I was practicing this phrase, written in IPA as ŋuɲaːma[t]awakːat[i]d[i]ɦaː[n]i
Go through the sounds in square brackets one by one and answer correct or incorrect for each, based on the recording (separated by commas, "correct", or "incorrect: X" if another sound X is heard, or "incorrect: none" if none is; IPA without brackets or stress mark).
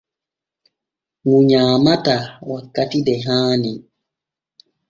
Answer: correct, correct, incorrect: ɛ, correct